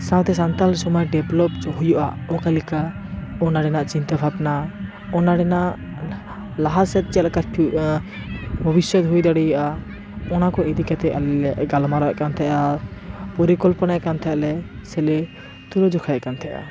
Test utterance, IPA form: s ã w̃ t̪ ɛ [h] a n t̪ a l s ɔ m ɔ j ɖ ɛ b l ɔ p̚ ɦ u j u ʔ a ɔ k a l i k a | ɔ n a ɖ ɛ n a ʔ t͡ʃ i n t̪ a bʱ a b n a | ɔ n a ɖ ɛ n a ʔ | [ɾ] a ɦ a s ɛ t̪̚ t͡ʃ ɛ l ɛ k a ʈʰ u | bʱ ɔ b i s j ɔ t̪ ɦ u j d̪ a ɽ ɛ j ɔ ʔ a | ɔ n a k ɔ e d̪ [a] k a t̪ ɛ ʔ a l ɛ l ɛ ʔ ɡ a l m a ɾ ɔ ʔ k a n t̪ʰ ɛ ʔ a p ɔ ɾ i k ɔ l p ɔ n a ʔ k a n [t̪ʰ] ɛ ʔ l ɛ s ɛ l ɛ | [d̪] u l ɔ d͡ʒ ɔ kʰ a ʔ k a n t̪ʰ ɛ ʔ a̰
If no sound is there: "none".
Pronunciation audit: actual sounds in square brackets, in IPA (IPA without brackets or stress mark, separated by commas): s, l, i, t̪ʰ, t̪